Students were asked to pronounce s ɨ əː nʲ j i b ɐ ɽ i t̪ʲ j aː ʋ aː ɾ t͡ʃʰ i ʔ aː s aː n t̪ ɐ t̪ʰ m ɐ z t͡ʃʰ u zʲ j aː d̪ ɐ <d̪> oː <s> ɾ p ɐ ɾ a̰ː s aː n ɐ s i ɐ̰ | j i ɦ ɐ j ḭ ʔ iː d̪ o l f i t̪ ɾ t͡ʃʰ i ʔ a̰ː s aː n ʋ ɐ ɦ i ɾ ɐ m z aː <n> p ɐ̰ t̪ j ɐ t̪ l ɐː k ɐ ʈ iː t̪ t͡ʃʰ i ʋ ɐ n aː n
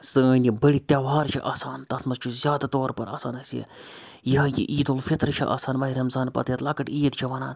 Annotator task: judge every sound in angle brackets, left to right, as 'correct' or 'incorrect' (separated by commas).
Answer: incorrect, incorrect, correct